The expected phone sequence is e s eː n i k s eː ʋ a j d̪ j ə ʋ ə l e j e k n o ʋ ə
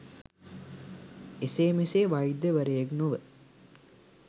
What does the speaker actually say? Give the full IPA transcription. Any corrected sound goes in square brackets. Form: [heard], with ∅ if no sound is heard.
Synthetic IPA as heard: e s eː [m] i [∅] s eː ʋ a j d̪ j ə ʋ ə [ɾ] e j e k n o ʋ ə

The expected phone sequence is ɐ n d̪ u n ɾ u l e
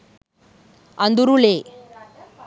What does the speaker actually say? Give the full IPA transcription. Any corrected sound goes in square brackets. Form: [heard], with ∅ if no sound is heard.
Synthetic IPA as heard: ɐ n d̪ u [∅] ɾ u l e

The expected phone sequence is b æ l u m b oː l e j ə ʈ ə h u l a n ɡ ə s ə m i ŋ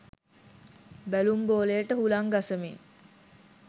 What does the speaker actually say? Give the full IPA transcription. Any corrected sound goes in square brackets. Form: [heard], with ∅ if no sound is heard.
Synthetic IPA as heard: b æ l u m b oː l e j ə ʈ ə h u l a [ŋ] ɡ [a] s ə m i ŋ

